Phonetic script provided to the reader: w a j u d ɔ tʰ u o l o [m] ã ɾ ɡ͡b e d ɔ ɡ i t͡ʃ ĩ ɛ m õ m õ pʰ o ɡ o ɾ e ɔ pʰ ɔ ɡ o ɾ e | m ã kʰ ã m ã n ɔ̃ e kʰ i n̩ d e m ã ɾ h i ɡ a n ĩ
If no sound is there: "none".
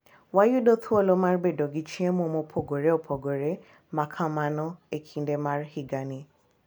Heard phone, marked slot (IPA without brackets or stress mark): m